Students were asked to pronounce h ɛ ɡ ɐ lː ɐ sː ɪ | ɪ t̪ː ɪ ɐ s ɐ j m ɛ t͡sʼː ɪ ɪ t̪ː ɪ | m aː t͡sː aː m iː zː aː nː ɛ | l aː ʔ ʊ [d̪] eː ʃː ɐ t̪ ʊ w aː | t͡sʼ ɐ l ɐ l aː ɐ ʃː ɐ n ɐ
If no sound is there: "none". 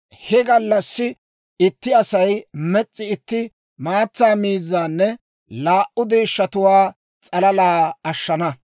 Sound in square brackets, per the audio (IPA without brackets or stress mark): d̪